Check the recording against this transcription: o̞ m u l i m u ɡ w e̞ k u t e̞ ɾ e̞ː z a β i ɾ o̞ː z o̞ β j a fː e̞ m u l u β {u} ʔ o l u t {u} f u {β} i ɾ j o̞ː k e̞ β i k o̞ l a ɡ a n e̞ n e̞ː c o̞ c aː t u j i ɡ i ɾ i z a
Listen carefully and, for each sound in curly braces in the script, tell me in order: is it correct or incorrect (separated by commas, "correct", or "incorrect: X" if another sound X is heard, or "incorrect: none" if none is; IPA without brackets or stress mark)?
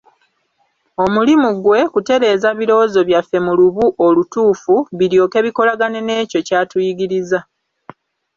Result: correct, incorrect: uː, correct